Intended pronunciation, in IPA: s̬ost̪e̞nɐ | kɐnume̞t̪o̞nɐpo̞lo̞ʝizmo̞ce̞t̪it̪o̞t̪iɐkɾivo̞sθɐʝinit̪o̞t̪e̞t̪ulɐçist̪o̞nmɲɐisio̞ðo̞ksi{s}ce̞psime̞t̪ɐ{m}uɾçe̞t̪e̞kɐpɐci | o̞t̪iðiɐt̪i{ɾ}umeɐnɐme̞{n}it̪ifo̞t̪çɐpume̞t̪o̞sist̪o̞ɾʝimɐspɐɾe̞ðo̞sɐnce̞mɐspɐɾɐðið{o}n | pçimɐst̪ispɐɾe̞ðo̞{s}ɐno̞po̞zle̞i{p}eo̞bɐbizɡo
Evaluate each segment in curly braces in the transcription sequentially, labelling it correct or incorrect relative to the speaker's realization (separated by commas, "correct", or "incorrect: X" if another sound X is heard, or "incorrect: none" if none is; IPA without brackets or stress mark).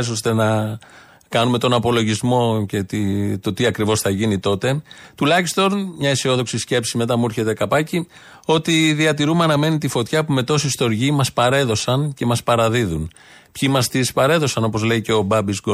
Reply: correct, correct, correct, correct, incorrect: u, correct, incorrect: c